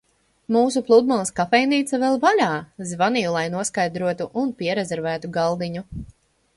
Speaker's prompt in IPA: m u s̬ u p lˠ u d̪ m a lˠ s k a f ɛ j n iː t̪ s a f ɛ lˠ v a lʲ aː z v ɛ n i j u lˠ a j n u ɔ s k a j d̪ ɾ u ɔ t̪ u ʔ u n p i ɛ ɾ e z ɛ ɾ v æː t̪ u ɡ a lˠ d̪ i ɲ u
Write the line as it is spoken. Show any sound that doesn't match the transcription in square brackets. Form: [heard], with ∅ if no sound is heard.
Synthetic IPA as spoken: m [uː] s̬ u p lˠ u d̪ m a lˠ s k a f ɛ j n iː t̪ s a [v] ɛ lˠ v a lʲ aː z v [a] n i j u lˠ a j n u ɔ s k a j d̪ ɾ u ɔ t̪ u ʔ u n p i ɛ ɾ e z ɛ ɾ v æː t̪ u ɡ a lˠ d̪ i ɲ u